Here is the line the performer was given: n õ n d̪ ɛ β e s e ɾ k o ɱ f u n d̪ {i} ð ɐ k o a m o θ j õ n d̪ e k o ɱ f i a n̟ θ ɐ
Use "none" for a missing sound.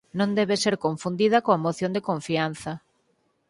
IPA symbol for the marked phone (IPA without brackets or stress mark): i